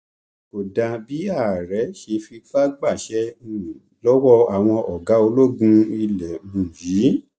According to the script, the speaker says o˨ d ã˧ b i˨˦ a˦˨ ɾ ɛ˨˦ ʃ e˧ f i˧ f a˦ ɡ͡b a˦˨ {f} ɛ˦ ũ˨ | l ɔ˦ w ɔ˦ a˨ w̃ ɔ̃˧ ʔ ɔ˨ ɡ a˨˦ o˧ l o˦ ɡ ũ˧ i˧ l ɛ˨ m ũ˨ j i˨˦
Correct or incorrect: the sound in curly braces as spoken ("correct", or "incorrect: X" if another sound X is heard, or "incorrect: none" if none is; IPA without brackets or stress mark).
incorrect: ʃ